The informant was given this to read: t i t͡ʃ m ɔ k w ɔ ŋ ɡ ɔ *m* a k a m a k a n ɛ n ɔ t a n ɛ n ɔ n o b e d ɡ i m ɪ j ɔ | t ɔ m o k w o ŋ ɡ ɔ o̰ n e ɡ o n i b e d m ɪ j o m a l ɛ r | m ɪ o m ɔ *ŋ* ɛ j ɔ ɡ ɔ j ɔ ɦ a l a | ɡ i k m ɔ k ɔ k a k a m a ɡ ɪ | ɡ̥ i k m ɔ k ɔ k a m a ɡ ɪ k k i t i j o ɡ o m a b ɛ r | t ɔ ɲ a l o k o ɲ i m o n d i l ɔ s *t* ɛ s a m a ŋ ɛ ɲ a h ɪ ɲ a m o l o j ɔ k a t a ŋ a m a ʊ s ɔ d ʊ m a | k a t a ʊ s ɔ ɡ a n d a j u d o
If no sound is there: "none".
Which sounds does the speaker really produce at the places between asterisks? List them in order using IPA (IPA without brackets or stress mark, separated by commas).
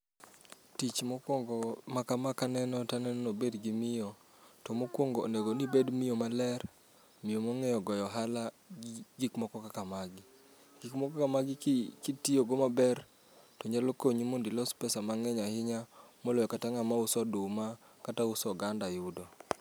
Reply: m, ŋ, p